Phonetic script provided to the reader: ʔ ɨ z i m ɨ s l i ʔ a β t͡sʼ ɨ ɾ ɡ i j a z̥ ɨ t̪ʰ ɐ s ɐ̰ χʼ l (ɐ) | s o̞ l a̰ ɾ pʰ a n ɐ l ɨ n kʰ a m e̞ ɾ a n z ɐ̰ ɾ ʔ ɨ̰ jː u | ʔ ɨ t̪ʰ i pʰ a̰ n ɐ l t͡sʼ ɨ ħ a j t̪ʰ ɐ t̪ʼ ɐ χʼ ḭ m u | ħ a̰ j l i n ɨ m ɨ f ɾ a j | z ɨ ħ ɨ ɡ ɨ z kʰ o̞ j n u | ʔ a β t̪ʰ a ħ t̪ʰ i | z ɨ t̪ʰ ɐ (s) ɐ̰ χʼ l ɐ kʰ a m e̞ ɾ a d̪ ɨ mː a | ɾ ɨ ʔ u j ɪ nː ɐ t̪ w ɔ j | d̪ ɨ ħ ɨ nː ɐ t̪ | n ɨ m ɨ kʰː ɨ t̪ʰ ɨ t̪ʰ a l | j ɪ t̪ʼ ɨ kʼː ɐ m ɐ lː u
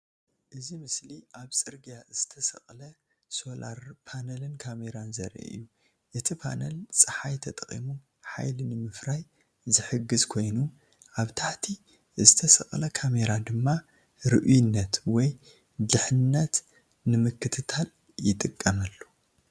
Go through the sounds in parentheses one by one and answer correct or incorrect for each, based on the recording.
correct, correct

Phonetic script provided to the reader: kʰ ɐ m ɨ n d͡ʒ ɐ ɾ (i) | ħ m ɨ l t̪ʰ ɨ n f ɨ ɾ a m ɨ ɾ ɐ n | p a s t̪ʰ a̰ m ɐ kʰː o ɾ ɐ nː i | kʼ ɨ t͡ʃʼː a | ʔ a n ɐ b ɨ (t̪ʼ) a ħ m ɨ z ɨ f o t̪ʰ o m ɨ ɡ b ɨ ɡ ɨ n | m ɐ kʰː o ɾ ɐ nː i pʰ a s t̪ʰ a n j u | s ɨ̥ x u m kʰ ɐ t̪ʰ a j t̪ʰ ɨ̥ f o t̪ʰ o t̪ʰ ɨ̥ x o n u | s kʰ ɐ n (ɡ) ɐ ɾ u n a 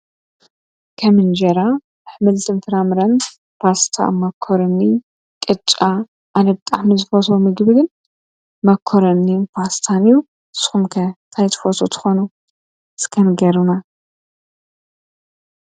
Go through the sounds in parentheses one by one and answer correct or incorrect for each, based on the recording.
incorrect, correct, correct

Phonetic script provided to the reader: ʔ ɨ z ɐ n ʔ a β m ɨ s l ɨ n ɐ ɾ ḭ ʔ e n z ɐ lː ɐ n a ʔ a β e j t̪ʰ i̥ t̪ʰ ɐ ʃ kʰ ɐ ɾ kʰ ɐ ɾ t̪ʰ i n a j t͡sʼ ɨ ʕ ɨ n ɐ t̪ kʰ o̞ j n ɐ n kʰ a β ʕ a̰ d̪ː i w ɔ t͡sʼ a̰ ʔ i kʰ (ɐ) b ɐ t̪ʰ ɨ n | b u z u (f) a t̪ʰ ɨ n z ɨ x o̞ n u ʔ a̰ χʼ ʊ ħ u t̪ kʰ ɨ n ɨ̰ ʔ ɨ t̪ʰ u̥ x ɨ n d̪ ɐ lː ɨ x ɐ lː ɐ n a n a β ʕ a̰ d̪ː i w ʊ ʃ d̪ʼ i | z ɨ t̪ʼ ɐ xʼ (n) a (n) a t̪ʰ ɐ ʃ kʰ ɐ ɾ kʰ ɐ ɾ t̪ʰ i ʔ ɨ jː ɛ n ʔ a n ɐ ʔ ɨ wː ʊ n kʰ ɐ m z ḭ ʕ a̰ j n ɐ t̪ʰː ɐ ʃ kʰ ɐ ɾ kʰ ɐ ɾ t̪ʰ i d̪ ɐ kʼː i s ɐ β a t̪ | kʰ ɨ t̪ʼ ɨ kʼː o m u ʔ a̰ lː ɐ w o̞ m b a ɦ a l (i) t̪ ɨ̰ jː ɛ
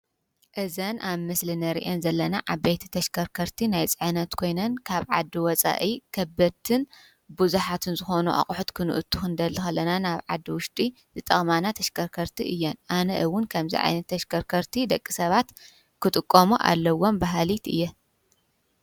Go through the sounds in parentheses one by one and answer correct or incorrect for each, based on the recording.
correct, incorrect, incorrect, correct, correct

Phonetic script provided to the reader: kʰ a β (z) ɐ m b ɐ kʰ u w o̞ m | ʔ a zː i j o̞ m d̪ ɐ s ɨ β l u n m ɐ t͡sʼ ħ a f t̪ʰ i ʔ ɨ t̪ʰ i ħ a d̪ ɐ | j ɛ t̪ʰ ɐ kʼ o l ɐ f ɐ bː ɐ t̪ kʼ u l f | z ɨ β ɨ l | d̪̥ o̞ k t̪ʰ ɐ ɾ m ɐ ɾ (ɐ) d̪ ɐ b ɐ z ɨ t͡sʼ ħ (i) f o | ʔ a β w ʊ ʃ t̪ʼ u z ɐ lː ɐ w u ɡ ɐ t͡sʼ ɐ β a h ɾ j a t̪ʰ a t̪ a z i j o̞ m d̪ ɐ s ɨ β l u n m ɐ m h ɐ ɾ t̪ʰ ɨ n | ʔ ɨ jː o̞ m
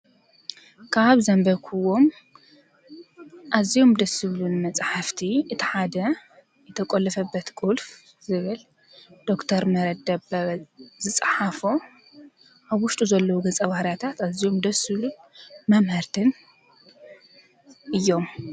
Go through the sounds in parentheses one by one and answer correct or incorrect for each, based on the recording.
correct, correct, incorrect

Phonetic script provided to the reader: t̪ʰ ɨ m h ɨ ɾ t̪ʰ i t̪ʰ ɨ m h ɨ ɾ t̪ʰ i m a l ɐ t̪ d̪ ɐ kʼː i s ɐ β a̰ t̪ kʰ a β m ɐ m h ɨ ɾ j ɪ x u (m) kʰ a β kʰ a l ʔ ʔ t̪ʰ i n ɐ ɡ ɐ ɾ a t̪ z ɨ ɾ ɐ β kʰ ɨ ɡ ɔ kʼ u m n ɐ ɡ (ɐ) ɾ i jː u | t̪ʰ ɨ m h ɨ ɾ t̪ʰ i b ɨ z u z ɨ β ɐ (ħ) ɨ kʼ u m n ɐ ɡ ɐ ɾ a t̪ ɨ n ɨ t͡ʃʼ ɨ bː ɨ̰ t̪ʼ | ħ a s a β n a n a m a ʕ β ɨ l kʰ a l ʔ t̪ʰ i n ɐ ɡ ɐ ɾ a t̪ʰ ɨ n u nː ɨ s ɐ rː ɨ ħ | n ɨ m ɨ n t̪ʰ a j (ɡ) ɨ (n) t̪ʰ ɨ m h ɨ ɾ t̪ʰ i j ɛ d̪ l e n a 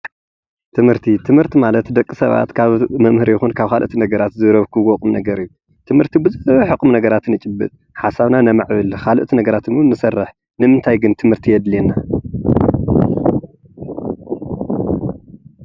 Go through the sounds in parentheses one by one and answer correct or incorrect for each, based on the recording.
incorrect, correct, correct, correct, correct

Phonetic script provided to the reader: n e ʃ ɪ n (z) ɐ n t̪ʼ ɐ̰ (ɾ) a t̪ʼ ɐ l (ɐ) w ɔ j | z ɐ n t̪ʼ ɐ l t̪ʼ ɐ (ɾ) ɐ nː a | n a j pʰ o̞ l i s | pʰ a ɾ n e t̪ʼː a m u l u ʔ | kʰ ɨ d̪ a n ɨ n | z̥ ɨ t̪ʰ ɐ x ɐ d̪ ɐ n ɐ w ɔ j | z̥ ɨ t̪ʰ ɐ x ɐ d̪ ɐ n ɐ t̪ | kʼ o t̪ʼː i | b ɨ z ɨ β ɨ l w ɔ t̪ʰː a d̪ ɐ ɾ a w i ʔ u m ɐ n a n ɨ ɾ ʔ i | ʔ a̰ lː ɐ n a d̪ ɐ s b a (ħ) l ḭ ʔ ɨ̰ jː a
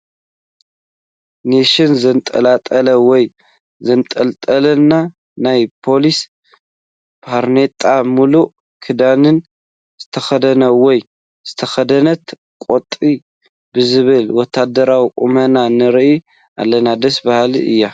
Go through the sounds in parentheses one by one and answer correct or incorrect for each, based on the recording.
correct, incorrect, correct, incorrect, incorrect

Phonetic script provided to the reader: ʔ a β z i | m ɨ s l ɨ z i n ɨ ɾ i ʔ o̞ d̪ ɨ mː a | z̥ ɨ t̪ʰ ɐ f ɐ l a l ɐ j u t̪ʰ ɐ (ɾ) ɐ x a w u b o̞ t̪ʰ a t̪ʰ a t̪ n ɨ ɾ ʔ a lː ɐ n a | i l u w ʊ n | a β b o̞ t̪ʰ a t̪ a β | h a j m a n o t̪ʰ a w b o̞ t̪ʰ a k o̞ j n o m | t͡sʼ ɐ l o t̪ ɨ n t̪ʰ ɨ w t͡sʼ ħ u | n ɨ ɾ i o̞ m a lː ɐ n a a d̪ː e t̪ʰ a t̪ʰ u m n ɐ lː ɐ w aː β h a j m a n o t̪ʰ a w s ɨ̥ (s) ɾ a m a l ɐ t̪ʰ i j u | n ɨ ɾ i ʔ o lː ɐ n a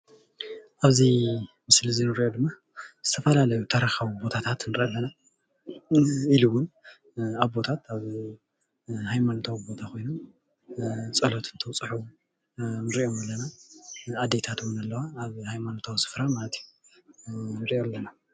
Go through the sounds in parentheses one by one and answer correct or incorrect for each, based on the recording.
correct, incorrect

